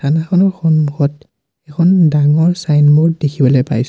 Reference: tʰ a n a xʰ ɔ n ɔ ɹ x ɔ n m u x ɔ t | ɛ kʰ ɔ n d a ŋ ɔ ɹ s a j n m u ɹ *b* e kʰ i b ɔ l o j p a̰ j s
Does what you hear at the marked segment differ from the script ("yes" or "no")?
yes